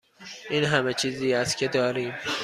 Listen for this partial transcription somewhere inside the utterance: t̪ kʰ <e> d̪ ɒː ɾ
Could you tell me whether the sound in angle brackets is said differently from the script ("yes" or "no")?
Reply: no